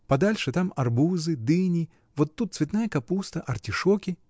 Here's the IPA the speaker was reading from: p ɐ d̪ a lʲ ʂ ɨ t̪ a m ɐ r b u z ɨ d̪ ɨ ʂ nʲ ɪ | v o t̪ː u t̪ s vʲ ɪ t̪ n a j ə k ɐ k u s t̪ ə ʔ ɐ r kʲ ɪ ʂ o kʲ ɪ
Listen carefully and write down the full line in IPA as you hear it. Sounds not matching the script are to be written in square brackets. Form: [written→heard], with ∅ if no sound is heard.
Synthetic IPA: p ɐ d̪ a lʲ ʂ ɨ t̪ a m ɐ r b u z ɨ d̪ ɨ [ʂ→∅] nʲ ɪ | v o t̪ː u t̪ s vʲ ɪ t̪ n a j ə k ɐ [k→p] u s t̪ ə ʔ ɐ r [kʲ→tʲ] ɪ ʂ o kʲ ɪ